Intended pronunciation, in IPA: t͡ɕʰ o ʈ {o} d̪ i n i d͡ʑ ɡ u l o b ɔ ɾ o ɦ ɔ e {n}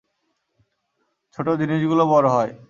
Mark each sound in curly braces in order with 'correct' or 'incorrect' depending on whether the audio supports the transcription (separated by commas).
correct, incorrect